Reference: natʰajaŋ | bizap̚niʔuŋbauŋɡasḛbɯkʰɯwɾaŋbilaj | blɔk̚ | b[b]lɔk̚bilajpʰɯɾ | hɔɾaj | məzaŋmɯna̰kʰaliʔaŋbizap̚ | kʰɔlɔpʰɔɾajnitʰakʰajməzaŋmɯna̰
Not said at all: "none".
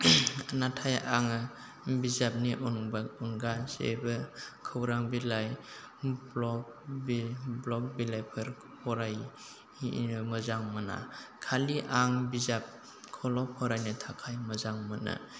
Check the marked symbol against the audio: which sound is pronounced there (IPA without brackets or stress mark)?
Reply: b